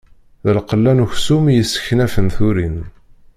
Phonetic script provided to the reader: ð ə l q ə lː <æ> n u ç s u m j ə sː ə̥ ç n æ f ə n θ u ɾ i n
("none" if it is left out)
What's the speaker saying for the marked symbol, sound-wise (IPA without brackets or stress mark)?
æ